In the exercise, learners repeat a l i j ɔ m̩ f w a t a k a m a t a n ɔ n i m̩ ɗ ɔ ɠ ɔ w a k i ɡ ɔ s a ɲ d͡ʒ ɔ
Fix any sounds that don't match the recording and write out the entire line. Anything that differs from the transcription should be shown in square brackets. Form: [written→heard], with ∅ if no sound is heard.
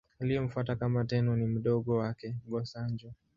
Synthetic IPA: a l i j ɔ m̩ f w a t a k a m a t [a→ɛ] n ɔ n i m̩ ɗ ɔ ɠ ɔ w a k [i→ɛ] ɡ ɔ s a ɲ d͡ʒ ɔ